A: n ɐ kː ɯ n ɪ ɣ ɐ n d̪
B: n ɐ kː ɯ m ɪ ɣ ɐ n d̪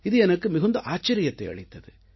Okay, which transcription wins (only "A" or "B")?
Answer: B